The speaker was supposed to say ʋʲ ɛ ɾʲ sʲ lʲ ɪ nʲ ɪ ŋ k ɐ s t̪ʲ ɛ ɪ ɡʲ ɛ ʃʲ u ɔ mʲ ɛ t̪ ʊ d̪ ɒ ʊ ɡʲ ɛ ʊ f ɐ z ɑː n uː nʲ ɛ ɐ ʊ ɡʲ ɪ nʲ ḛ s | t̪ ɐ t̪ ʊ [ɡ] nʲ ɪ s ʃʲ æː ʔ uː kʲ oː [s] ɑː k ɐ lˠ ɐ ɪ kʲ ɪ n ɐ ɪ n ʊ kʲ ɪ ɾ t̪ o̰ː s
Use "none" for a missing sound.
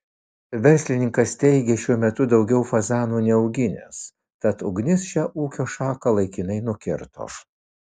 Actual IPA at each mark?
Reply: ɡ, ʃ

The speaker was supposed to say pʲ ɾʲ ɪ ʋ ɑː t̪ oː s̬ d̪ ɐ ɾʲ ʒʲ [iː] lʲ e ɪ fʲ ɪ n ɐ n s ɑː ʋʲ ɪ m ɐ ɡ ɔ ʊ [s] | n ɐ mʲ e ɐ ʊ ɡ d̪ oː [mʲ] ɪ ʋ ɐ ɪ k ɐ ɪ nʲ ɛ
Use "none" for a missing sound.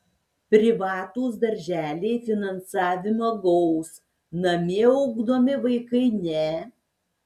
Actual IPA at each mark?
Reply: æː, s, mʲ

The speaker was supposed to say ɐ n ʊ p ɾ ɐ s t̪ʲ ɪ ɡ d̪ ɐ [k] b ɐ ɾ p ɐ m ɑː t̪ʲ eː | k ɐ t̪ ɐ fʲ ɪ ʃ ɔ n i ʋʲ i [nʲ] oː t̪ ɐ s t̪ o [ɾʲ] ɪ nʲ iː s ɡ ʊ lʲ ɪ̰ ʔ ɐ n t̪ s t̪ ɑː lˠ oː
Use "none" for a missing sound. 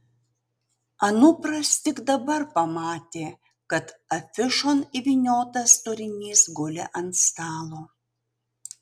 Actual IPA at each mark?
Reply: none, nʲ, ɾʲ

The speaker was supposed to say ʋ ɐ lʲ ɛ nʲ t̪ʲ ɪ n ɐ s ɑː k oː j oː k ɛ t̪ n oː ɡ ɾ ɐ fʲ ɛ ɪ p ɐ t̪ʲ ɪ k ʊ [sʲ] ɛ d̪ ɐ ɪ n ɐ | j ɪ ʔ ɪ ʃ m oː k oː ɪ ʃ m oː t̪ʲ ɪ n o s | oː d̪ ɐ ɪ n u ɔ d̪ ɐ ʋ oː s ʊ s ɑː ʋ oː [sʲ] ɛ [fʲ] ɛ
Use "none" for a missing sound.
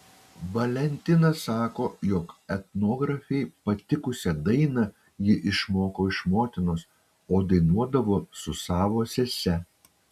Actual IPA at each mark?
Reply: sʲ, sʲ, sʲ

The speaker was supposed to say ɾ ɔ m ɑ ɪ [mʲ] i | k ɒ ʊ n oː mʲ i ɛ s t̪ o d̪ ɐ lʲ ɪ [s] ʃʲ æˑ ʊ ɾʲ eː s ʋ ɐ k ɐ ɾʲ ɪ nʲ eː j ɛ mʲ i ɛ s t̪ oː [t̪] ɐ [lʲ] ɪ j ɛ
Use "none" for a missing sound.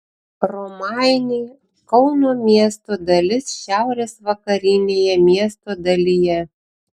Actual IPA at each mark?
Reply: nʲ, s, d̪, lʲ

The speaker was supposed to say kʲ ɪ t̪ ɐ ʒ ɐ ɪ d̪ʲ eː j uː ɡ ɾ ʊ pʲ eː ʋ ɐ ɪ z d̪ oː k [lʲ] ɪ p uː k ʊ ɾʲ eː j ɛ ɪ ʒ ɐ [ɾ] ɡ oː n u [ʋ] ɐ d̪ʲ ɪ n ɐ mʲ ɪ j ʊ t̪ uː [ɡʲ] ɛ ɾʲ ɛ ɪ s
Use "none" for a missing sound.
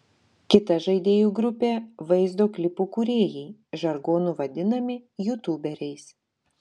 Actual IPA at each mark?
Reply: lʲ, ɾ, ʋ, bʲ

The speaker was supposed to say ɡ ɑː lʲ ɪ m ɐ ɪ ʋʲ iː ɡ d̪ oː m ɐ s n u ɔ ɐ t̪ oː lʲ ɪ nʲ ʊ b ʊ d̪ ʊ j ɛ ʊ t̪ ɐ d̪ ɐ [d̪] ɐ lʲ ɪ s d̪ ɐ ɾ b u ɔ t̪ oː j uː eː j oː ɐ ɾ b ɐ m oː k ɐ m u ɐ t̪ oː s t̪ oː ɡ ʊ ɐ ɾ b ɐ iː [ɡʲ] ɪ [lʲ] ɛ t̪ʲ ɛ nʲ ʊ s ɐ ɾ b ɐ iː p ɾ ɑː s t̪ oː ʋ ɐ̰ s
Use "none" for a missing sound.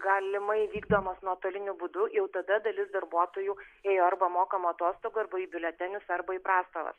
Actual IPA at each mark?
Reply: d̪, bʲ, lʲ

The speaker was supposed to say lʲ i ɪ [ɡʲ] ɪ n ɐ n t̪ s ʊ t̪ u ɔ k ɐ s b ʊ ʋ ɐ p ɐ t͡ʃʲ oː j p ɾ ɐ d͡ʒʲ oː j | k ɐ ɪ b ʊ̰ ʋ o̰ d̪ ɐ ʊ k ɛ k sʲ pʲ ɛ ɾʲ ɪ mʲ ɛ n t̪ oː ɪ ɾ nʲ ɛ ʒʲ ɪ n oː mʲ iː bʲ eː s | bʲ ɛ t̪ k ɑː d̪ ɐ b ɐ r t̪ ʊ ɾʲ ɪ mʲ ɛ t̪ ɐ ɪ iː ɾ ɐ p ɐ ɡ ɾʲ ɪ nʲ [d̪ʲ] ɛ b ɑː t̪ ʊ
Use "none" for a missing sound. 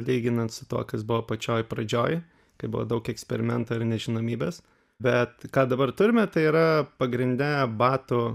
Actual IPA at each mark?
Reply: ɡʲ, d̪ʲ

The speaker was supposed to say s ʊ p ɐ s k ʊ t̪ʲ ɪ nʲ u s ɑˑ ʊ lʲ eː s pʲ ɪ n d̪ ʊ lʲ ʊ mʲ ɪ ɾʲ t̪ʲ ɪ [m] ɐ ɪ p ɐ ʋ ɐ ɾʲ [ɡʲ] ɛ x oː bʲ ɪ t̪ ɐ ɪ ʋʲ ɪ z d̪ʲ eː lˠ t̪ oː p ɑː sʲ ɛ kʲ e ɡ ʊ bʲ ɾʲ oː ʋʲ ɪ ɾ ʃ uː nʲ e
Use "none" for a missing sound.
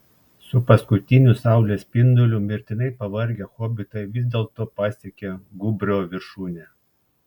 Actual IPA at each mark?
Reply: n, ɡʲ

